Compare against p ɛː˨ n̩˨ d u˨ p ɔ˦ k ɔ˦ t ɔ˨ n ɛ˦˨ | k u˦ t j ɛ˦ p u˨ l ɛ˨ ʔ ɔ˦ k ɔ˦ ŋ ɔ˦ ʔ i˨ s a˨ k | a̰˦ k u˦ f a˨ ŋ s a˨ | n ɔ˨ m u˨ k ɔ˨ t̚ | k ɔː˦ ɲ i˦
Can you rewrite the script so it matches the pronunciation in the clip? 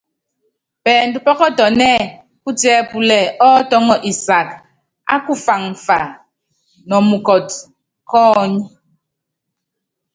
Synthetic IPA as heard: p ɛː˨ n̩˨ d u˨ p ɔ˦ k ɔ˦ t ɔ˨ n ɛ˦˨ | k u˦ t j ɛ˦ p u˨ l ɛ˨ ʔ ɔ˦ t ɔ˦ ŋ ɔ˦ ʔ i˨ s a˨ k | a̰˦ k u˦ f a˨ ŋ f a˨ | n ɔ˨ m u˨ k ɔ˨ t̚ | k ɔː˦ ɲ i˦